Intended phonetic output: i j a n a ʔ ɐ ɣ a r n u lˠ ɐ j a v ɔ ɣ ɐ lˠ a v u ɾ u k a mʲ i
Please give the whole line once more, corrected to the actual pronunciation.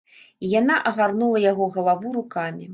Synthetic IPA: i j a n a ʔ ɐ ɣ a r n u lˠ ɐ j a ɣ ɔ ɣ ɐ lˠ a v u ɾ u k a mʲ i